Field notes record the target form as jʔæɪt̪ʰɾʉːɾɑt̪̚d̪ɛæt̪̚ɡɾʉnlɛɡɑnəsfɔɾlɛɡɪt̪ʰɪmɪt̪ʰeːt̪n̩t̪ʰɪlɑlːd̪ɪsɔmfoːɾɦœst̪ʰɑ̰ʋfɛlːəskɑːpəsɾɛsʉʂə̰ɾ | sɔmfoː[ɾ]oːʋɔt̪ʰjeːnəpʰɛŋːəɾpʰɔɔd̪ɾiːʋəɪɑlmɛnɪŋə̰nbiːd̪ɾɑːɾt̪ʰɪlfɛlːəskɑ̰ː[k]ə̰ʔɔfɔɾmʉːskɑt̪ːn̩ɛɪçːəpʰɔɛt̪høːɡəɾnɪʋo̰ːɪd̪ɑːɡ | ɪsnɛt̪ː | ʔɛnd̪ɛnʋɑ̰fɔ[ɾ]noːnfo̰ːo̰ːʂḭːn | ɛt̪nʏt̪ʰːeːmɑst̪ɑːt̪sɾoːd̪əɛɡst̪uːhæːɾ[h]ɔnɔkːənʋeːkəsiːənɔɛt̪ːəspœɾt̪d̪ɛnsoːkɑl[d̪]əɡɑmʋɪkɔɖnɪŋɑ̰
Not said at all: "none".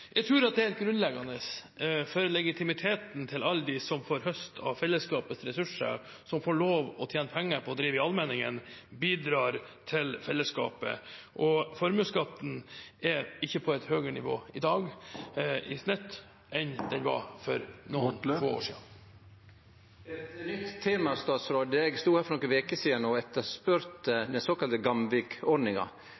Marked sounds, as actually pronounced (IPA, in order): ɭ, p, ɾ, f, t̪

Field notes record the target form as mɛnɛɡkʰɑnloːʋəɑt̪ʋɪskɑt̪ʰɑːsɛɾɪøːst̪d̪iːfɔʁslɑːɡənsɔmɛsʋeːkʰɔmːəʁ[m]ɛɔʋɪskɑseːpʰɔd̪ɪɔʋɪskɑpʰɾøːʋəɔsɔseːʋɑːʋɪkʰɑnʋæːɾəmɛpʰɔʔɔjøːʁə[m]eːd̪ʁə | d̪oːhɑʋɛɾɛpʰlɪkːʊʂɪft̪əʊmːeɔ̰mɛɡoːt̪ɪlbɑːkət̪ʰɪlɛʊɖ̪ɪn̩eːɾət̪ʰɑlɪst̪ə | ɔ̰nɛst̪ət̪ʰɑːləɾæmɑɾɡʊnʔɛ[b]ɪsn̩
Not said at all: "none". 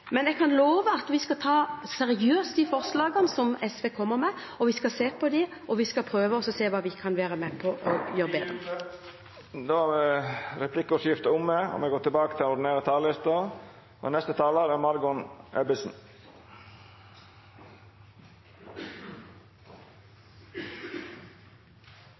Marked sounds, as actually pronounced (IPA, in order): m, b, b

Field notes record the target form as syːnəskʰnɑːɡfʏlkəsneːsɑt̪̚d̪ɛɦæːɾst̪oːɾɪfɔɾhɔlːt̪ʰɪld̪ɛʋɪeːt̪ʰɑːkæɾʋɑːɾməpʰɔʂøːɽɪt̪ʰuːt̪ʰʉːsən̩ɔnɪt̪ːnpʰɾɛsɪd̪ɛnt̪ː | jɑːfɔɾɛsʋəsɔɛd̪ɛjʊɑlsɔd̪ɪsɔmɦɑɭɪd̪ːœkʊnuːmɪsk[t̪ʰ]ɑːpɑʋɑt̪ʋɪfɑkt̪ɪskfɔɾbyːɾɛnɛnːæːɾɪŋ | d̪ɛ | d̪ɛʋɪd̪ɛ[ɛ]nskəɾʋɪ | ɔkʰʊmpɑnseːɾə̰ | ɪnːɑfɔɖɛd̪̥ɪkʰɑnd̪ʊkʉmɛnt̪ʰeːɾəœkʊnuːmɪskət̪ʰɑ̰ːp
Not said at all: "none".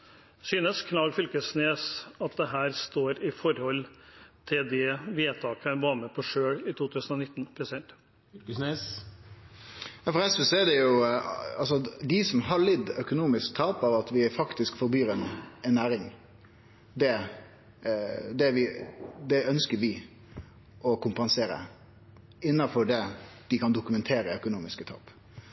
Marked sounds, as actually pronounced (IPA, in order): t̪ʰ, œ

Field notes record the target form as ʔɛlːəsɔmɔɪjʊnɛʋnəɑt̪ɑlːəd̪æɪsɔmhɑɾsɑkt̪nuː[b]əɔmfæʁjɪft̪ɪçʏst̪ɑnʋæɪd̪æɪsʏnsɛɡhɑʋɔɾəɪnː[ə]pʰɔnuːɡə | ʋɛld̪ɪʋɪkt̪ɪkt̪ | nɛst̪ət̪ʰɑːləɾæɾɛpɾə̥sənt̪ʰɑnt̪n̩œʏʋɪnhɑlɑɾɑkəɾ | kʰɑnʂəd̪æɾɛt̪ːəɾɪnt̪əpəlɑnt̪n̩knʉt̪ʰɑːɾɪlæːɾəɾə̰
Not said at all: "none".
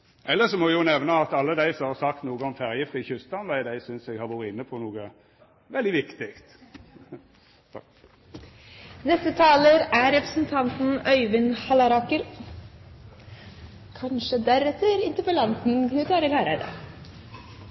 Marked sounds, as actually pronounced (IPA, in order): ɡ, ə

